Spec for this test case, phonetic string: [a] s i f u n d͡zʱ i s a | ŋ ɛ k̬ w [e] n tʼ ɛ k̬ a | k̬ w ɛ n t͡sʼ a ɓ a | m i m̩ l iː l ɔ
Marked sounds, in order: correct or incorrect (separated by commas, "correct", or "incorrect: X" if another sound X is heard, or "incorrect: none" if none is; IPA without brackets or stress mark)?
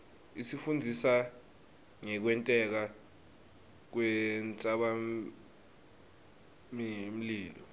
incorrect: i, incorrect: ɛ